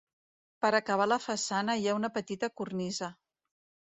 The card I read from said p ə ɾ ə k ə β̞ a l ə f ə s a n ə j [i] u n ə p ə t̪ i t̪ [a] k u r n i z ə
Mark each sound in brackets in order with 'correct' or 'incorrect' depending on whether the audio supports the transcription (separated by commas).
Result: incorrect, incorrect